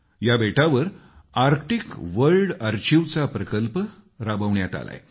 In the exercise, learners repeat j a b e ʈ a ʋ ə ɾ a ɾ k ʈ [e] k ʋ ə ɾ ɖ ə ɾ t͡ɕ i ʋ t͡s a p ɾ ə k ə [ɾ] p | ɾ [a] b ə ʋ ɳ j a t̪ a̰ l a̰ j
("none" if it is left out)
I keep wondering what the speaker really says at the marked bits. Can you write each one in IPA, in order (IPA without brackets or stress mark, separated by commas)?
i, l, a